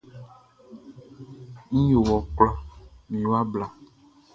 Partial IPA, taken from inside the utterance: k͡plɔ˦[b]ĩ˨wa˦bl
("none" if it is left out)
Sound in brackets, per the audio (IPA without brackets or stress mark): m